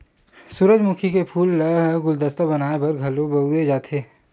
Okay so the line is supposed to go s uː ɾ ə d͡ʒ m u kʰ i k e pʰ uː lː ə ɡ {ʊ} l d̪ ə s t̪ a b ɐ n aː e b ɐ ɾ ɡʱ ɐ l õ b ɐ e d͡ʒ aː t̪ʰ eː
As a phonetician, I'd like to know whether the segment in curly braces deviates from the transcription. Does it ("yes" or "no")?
no